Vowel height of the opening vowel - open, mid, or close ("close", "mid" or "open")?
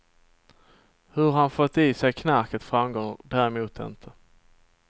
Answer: mid